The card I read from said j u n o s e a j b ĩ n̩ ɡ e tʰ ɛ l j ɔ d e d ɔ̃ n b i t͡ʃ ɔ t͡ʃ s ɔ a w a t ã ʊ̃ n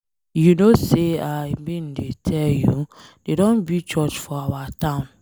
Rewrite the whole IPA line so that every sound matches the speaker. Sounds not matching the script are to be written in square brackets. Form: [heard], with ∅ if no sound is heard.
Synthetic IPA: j u n o s e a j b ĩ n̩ [d] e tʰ ɛ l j [u] d e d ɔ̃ n b i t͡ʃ ɔ t͡ʃ [f] ɔ a w a t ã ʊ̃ n